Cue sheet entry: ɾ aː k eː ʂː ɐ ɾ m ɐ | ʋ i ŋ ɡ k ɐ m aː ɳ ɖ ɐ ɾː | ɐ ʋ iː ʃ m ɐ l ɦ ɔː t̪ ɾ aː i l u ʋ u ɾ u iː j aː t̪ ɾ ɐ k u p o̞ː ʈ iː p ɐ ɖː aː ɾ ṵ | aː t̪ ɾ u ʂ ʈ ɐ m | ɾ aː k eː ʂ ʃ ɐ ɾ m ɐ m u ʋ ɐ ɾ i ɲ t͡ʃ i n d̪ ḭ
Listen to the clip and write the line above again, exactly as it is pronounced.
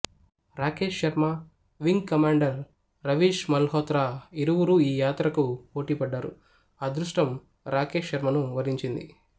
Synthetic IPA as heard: ɾ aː k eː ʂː ɐ ɾ m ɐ | ʋ i ŋ ɡ k ɐ m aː ɳ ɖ ɐ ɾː | ɐ ʋ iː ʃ m ɐ l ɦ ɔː t̪ ɾ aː i ɾ u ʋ u ɾ u iː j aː t̪ ɾ ɐ k u p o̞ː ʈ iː p ɐ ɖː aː ɾ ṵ | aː d̪ ɾ u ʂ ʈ ɐ m | ɾ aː k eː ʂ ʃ ɐ ɾ m ɐ n u ʋ ɐ ɾ i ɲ t͡ʃ i n d̪ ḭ